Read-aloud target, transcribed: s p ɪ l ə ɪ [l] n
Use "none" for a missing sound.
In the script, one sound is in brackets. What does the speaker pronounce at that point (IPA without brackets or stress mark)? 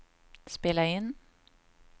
none